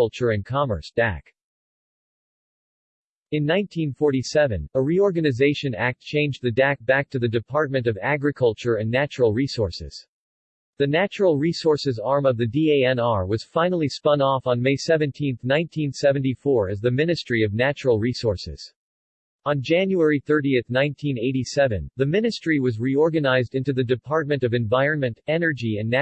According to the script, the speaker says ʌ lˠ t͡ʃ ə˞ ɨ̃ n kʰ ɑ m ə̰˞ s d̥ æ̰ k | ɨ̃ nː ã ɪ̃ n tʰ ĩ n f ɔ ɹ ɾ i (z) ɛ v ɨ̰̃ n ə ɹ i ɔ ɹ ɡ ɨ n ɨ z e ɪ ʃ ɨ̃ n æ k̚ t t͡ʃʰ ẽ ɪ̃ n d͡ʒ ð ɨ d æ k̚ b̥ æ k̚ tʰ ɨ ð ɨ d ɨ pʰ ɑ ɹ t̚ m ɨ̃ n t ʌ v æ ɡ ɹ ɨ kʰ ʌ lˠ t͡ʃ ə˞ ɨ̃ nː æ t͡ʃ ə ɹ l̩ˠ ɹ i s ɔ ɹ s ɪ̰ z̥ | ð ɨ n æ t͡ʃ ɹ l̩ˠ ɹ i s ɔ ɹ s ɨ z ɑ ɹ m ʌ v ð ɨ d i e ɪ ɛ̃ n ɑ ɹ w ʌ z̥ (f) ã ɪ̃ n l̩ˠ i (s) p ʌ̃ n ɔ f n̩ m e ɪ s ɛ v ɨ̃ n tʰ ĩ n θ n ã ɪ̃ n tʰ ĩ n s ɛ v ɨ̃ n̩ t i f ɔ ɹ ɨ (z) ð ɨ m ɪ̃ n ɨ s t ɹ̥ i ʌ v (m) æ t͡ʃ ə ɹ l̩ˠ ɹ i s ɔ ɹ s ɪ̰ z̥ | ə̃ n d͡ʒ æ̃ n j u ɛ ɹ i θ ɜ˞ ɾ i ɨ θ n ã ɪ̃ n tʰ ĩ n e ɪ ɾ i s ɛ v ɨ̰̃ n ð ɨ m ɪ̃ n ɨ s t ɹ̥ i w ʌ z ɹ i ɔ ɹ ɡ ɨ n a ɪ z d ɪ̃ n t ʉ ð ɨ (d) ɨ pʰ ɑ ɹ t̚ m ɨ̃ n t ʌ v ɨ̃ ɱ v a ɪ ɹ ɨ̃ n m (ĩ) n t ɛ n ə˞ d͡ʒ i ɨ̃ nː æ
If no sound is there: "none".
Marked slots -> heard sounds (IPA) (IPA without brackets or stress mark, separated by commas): s, f, s, z, n, d, ɨ̃